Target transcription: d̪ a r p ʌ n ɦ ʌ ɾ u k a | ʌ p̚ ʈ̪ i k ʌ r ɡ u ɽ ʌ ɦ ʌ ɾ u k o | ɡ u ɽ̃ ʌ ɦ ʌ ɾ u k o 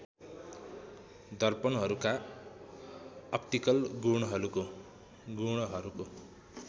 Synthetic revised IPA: d̪ ʌ r p ʌ n ɦ ʌ ɾ u k a | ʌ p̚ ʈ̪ i k ʌ l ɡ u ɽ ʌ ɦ ʌ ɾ u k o | ɡ u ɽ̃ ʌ ɦ ʌ ɾ u k o